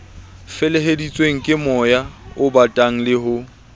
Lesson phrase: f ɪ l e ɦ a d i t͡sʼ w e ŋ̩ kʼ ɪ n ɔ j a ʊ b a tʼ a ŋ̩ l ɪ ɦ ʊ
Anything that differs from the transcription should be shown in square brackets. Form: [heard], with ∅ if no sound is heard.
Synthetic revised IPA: f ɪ l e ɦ [e] d i t͡sʼ w e ŋ̩ kʼ ɪ [m] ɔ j a ʊ b a tʼ a ŋ̩ l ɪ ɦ ʊ